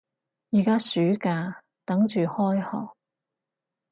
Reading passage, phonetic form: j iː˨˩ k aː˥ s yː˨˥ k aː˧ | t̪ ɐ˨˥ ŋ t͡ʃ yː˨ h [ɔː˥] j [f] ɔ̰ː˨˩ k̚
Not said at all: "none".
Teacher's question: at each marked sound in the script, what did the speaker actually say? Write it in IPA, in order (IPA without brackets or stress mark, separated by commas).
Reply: ɔː˥, h